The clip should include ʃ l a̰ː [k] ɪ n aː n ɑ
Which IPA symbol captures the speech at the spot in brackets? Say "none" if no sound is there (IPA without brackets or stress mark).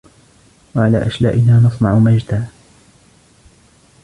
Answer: ʔ